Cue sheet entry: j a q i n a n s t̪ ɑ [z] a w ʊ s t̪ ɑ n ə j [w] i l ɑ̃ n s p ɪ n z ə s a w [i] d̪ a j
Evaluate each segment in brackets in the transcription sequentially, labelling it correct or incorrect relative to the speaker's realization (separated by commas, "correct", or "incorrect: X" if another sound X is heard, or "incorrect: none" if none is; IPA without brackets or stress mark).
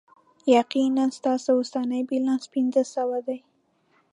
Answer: incorrect: s, incorrect: b, incorrect: a